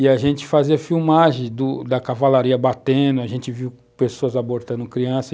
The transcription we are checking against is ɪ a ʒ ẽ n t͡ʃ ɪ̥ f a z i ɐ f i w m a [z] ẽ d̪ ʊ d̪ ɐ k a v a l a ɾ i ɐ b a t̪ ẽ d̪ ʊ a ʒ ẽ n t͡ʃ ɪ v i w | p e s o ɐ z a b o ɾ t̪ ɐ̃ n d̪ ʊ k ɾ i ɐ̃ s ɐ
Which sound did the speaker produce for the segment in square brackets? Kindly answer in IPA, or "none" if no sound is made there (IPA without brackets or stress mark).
ʒ